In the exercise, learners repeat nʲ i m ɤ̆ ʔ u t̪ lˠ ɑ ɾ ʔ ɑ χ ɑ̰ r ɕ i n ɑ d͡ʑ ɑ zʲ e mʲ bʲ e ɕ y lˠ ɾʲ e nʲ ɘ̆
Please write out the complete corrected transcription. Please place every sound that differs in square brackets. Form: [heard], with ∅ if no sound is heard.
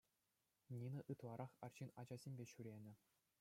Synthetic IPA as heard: nʲ i [n] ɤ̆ ʔ [ɯ] t̪ lˠ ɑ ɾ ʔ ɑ χ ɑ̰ r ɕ i n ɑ d͡ʑ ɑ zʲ e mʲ bʲ e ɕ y [∅] ɾʲ e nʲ ɘ̆